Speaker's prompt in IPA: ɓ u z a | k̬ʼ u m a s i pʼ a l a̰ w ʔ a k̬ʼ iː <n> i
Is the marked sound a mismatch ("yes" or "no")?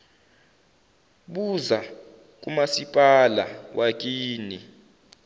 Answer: no